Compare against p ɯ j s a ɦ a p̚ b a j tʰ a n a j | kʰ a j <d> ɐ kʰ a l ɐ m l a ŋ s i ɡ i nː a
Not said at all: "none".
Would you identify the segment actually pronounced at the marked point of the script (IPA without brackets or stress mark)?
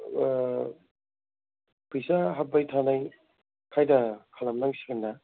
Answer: d